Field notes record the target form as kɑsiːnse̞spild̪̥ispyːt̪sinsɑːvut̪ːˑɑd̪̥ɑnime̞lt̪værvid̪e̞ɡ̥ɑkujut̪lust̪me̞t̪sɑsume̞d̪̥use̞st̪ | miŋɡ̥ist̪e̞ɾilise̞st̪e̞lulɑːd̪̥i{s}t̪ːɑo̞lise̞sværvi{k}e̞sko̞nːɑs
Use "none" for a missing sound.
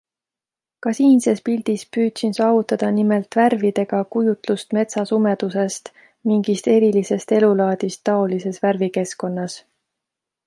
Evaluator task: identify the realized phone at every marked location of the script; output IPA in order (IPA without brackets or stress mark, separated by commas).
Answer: s, k